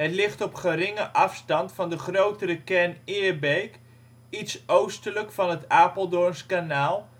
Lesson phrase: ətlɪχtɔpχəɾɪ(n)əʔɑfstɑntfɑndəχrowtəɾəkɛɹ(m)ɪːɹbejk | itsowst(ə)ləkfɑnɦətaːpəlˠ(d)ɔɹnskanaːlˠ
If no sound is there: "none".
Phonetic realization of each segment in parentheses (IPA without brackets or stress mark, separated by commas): ŋ, n, ə, d